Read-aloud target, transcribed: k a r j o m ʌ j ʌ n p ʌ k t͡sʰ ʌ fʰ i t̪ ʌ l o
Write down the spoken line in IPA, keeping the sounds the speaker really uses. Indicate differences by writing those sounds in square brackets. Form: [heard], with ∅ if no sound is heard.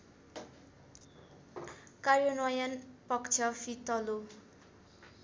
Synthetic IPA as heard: k a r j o [n] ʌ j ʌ n p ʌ k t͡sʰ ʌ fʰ i t̪ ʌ l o